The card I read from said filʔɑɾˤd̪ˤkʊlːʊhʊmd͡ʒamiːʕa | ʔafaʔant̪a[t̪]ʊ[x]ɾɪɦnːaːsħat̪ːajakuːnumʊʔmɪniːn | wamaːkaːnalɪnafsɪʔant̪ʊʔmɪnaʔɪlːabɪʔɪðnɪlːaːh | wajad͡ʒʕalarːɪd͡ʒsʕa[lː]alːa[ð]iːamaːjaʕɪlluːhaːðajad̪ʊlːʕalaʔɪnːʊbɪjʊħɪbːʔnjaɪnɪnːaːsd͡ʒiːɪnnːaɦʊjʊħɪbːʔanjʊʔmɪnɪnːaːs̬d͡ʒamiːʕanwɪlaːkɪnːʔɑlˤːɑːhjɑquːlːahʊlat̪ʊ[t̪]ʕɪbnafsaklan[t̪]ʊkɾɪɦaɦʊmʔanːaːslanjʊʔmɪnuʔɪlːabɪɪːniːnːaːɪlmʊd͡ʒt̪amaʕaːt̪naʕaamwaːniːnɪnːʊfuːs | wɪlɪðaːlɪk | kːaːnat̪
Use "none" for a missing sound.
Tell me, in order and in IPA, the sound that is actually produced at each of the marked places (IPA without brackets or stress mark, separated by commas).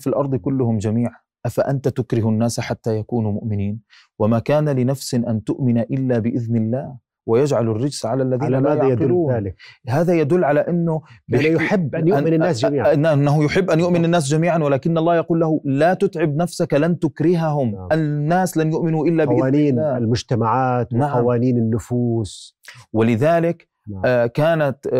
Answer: t̪, k, l, ð, t̪, t̪